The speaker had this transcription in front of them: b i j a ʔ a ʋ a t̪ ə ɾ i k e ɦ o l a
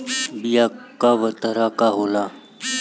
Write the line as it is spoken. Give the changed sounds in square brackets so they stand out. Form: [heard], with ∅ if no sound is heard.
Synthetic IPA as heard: b i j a [k] a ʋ [ə] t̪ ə ɾ [a] k [a] ɦ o l a

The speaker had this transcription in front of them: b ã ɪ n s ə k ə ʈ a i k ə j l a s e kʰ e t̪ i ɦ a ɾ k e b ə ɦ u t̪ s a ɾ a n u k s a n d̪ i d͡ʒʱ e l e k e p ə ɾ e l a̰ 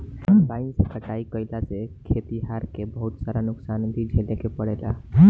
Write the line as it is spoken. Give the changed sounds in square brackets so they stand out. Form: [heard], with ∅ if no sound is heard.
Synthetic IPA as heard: b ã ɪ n s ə k ə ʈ a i k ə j l a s e kʰ e t̪ i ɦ a ɾ k e b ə ɦ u t̪ s a ɾ a n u k s a n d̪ i d͡ʒʱ e l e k e p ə [ɽ] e l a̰

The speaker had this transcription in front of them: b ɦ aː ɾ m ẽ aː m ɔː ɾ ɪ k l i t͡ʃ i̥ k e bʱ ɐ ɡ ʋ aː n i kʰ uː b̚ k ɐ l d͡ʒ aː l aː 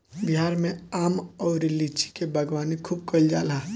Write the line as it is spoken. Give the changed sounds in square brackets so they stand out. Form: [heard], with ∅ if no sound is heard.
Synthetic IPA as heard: b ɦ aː ɾ m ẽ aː m ɔː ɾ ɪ [∅] l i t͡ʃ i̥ k e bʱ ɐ ɡ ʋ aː n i kʰ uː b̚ k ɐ l d͡ʒ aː l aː

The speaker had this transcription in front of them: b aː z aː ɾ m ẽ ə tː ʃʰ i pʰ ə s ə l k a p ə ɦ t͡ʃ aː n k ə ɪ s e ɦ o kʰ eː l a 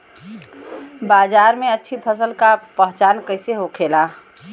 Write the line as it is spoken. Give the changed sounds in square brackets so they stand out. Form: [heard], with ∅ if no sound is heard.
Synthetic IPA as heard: b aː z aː ɾ m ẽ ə tː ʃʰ i pʰ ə s ə l k a p ə ɦ t͡ʃ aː n k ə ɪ s e ɦ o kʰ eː l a

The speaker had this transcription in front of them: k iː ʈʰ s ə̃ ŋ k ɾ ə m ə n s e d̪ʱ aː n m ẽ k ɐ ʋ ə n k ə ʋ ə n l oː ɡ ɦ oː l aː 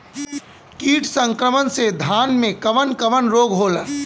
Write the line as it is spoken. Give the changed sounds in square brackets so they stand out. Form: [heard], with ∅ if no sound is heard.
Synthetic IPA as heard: k iː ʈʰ s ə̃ ŋ k ɾ ə m ə n s e d̪ʱ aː n m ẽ k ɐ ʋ ə n k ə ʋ ə n [ɾ] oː ɡ ɦ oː l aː

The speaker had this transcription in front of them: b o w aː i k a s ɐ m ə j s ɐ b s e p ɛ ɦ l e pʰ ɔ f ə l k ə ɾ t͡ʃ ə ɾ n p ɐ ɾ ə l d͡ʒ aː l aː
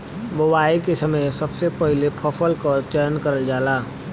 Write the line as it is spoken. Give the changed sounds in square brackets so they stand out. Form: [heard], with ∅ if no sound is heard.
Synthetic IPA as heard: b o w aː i k [e] s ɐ m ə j s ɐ b s e p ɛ ɦ l e pʰ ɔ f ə l k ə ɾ t͡ʃ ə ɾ n [k] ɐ ɾ ə l d͡ʒ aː l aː

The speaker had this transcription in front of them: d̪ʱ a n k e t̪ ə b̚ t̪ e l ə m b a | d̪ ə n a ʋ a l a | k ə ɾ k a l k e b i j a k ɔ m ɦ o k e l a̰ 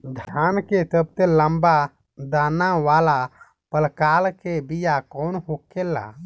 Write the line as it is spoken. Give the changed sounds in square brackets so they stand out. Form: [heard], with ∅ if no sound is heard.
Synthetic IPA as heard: d̪ʱ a n k e t̪ ə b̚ t̪ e l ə m b a | d̪ [a] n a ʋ a l a | [p] ə [l] k a l k e b i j a k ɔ [n] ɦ o k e l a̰

